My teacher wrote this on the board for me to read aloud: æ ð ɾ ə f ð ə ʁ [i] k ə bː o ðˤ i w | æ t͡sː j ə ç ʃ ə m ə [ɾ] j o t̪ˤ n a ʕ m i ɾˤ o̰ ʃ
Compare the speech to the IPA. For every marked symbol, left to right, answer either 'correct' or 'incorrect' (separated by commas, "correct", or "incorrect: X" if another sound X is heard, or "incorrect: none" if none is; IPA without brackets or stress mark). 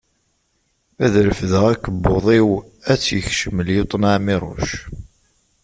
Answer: incorrect: æ, incorrect: l